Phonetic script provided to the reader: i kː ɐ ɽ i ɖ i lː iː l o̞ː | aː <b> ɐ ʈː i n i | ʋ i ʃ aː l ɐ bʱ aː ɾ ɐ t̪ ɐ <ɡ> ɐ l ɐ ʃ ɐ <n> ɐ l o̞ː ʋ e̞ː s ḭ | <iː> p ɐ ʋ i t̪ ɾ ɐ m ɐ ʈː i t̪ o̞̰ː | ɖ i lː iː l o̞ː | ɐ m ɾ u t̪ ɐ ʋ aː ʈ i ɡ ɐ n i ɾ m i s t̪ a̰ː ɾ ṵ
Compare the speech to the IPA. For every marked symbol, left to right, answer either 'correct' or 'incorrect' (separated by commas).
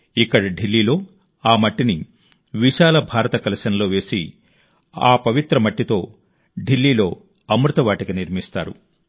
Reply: incorrect, incorrect, correct, incorrect